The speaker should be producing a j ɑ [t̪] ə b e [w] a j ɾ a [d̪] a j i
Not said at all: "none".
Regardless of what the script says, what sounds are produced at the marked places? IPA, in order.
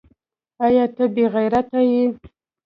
t̪, ɣ, t̪

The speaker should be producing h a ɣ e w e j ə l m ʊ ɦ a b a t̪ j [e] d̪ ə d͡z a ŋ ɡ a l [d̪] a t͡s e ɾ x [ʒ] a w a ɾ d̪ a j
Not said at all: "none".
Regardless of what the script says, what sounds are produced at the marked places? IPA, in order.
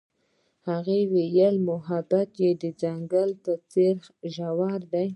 e, t̪, ʒ

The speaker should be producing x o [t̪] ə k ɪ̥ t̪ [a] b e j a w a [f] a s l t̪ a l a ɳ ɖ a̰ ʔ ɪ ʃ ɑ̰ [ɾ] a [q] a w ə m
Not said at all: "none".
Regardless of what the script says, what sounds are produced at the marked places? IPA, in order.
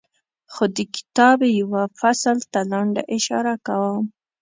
d̪, ɑ, f, ɾ, k

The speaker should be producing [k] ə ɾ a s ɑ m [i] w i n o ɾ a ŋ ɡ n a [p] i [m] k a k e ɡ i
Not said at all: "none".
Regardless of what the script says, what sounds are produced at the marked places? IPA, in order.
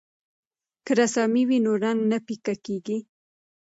k, i, p, none

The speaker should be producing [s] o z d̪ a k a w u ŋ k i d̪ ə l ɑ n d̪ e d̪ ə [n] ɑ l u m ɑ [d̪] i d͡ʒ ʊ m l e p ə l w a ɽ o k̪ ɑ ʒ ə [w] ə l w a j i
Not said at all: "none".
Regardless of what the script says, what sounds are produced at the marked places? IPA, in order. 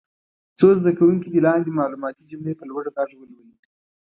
t͡s, m, t̪, w

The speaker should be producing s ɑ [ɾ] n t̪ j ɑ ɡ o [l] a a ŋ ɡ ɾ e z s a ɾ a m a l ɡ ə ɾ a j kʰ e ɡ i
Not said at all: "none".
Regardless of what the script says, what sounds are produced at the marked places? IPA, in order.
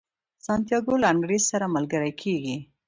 none, l

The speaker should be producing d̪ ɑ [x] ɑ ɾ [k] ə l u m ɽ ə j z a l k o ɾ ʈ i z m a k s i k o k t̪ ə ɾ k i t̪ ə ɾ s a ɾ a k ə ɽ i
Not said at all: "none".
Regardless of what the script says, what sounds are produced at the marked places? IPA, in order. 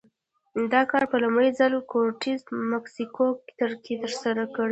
k, p

